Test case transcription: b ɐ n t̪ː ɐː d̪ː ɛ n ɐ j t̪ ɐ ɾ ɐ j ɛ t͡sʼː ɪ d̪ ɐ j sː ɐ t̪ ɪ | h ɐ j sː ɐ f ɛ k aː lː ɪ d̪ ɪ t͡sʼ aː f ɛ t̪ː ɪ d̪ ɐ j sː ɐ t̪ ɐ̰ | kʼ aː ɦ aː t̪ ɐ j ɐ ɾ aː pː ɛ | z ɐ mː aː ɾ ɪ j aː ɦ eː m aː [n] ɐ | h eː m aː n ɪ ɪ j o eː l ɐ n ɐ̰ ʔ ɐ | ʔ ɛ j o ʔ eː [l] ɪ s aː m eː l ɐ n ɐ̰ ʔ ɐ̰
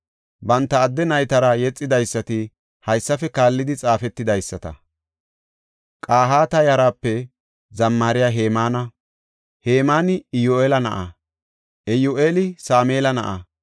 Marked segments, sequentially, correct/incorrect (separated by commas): correct, correct